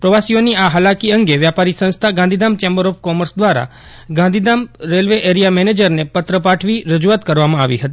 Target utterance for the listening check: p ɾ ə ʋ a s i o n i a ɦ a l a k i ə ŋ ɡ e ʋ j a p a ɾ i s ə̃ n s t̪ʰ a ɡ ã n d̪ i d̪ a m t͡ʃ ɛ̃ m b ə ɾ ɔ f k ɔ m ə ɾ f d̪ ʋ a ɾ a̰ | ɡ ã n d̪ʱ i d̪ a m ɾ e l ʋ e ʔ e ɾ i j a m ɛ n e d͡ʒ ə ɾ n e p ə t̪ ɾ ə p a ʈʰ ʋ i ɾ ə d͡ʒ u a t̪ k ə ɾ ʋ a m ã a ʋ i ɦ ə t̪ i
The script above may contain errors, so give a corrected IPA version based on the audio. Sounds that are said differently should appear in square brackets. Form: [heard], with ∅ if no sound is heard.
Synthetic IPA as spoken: p ɾ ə ʋ a s i o n i a ɦ a l a k i ə ŋ ɡ e ʋ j a p a ɾ i s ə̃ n s t̪ʰ a ɡ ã n d̪ i d̪ a m t͡ʃ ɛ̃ m b ə ɾ ɔ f k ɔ m ə ɾ [s] d̪ ʋ a ɾ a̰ | ɡ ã n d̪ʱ i d̪ a m ɾ e l ʋ e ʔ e ɾ i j a m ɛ n e d͡ʒ ə ɾ n e p ə t̪ ɾ ə p a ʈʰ ʋ i ɾ ə d͡ʒ u a t̪ k ə ɾ ʋ a m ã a ʋ i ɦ ə t̪ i